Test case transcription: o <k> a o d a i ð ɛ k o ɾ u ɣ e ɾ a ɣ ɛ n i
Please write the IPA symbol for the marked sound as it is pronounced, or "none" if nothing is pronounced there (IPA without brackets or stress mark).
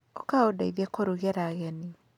k